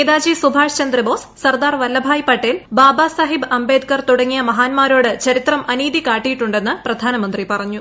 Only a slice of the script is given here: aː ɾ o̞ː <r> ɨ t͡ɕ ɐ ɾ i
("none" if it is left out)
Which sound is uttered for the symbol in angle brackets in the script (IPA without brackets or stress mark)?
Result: ɽ